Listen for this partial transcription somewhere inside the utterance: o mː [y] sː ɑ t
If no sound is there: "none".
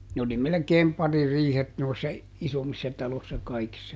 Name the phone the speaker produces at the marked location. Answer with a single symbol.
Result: i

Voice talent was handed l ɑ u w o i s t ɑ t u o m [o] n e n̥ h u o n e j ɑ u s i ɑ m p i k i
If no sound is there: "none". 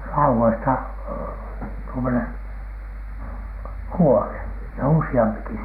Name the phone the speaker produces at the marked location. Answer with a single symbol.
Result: o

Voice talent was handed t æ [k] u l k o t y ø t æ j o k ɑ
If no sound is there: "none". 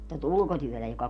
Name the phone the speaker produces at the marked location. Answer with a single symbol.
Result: t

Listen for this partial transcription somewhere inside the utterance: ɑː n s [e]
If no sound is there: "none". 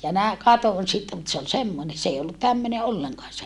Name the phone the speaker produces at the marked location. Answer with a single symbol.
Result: e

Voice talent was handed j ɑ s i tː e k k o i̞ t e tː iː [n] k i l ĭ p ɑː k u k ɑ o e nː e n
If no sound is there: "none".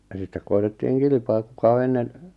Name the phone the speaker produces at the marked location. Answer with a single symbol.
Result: ŋ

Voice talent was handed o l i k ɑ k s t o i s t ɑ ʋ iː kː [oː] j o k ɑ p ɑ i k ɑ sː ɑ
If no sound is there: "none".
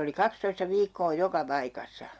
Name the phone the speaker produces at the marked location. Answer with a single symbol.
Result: oː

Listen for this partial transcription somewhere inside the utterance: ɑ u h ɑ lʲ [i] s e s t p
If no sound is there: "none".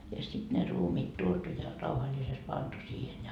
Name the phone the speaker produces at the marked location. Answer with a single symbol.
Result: i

